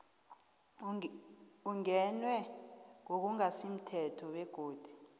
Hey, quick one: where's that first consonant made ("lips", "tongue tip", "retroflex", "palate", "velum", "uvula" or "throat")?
velum